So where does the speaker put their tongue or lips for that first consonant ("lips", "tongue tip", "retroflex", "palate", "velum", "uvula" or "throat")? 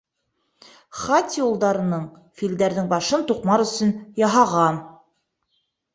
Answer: uvula